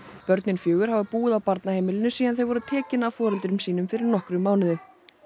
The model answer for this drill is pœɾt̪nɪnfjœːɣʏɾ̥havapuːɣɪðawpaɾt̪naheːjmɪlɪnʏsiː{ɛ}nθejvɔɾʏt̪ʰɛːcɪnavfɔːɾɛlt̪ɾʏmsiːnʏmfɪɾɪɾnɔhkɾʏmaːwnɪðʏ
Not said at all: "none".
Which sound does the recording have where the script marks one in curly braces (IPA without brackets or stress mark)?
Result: a